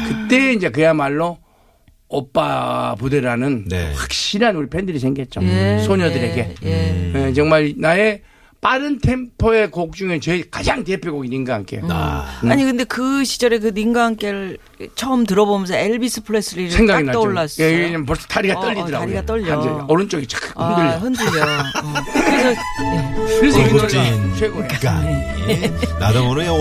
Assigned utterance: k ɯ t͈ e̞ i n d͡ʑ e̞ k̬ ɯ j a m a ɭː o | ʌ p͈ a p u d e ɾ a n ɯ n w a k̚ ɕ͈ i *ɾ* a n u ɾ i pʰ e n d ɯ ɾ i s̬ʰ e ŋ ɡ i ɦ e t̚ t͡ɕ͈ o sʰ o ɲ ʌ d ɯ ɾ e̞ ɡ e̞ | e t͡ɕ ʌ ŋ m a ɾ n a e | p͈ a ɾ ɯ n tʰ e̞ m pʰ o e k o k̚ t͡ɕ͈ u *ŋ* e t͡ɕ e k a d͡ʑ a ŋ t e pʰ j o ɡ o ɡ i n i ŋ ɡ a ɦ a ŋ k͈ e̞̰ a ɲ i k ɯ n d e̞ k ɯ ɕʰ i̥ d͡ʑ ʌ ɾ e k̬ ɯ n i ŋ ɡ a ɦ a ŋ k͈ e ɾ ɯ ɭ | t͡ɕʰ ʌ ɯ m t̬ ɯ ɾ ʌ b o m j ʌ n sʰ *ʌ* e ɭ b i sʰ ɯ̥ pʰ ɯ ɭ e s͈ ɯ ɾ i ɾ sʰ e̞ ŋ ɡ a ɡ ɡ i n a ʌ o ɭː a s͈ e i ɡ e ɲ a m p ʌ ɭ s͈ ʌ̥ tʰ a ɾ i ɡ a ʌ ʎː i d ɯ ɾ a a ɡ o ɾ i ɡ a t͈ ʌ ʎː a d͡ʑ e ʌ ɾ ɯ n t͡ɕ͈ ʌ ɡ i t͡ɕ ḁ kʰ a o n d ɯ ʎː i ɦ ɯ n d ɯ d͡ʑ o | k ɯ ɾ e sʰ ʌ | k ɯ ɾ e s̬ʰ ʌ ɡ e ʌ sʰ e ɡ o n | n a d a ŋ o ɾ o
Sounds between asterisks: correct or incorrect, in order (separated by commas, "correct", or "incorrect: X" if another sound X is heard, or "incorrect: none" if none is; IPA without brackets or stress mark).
correct, correct, correct